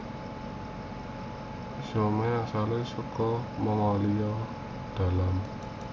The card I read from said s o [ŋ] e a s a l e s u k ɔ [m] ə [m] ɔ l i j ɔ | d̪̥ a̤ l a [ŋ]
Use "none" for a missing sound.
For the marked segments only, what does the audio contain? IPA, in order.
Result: m, m, ŋ, m

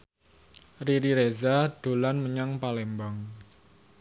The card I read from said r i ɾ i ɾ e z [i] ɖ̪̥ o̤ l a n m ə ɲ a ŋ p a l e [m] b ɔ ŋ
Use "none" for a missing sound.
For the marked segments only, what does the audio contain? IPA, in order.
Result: a, m

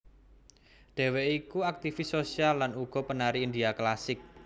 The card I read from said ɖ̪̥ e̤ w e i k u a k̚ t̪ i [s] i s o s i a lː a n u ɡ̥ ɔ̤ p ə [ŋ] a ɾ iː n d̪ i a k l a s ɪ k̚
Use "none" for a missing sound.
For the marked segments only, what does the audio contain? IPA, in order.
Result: f, n

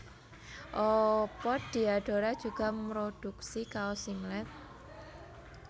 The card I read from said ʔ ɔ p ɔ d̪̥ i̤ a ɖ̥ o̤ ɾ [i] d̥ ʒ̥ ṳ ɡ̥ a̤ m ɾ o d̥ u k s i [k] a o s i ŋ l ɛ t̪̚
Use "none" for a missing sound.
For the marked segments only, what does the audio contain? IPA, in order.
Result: a, k

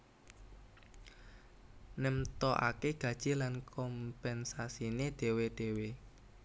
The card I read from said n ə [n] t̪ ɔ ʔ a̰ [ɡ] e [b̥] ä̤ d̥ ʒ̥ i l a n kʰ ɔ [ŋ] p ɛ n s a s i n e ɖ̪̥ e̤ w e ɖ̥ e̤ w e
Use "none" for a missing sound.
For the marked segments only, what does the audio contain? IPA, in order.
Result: m, k, ɡ̥, m

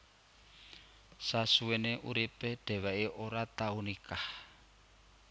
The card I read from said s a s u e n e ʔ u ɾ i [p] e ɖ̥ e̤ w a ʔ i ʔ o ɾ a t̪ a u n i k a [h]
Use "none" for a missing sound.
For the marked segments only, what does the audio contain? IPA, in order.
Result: p, h

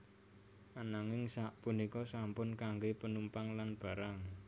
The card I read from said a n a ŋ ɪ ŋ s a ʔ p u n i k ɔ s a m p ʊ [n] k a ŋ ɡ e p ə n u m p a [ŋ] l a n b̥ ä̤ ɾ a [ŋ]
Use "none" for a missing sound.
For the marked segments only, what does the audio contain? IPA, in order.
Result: n, ŋ, ŋ

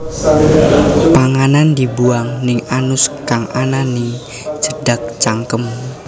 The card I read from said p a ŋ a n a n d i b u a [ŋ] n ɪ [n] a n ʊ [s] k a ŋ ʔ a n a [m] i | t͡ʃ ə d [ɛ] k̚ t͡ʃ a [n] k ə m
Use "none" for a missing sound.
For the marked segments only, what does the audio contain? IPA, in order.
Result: ŋ, ŋ, s, n, a, ŋ

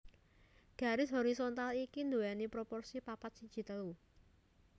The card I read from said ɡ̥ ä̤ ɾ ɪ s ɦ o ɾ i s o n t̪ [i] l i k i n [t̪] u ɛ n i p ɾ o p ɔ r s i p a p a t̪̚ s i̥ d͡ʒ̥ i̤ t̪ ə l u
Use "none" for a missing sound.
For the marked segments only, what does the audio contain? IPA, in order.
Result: a, d̪

